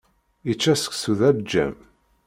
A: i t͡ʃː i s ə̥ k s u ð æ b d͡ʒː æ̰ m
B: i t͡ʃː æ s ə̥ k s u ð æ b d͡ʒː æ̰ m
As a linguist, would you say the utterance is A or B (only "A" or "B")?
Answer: B